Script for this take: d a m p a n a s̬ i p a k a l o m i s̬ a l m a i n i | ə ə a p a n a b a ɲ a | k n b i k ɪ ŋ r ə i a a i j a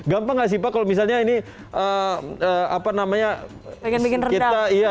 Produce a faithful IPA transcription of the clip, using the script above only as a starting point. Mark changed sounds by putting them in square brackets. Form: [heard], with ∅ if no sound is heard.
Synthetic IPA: [ɡ] a m p a [ŋ] a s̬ i p a k a l o m i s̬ a l [ɲ] a i n i | ə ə a p a n a [m] a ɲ a | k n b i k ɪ [n] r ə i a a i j a